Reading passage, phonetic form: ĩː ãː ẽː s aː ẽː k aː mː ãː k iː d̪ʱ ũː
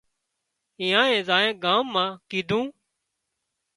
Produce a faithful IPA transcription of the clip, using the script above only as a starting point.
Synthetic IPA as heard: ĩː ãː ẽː z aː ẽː ɡ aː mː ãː k iː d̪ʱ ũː